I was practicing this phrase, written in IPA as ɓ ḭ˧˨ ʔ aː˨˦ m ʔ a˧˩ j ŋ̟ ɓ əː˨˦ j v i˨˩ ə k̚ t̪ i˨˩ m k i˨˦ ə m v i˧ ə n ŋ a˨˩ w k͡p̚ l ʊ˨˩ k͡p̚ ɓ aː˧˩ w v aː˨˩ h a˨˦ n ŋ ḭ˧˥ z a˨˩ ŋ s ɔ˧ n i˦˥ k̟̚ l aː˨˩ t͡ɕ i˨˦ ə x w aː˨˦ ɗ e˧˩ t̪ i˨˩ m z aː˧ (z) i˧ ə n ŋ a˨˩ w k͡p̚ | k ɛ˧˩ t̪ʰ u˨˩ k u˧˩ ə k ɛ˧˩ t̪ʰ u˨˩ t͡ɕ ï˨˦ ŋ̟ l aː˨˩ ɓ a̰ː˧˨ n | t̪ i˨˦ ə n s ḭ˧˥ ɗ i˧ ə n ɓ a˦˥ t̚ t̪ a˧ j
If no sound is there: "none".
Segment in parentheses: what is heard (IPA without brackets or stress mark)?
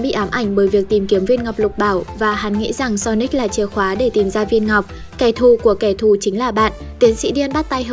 v